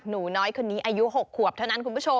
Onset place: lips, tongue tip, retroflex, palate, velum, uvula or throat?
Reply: tongue tip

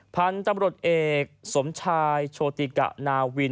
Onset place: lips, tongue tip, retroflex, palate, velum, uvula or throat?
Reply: lips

